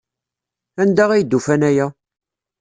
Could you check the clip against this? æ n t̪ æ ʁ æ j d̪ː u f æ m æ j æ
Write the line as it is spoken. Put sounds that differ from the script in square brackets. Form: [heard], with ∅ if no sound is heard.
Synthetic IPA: æ n [d̪] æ ʁ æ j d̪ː u f æ [n] æ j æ

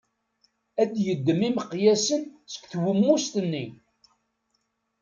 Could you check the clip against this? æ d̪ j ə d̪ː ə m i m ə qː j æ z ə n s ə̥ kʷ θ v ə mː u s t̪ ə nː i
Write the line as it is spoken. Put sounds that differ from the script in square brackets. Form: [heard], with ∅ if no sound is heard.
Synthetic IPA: æ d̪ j ə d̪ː ə m i m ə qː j æ [s] ə n s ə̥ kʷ θ [w] ə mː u s t̪ ə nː i

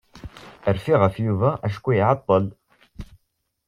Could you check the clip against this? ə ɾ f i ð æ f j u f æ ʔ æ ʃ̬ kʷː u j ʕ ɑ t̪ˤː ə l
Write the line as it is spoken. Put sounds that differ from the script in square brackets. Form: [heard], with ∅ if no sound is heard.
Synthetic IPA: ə ɾ f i [ʁ] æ f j u [v] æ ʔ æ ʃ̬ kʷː u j ʕ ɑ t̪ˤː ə l

